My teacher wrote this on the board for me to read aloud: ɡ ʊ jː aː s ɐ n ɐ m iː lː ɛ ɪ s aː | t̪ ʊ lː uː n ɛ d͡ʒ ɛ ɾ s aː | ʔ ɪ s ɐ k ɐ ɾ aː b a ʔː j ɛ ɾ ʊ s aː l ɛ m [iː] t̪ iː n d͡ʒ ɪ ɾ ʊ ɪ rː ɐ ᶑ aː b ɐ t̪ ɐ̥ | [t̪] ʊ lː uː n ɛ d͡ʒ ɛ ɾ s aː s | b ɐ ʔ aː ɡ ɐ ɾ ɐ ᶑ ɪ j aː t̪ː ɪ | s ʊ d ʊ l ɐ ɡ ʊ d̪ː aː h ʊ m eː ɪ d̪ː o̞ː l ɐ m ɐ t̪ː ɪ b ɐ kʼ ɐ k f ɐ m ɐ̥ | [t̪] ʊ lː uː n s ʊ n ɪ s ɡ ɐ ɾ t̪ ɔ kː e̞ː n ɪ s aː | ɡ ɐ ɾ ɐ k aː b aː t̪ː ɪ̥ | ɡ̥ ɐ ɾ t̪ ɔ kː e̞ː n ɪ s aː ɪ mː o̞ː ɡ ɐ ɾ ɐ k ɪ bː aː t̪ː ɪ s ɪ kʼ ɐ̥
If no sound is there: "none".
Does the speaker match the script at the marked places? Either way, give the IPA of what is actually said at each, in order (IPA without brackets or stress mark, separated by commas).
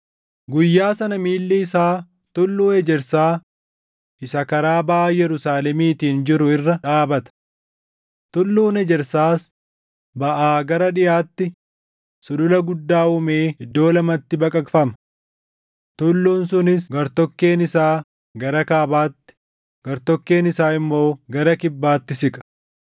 iː, t̪, t̪